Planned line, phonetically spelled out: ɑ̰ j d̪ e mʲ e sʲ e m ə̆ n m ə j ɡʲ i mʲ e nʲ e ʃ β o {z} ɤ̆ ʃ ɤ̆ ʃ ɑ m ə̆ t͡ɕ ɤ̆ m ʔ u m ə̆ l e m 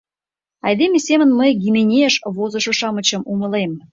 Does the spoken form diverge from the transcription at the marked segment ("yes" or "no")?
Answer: no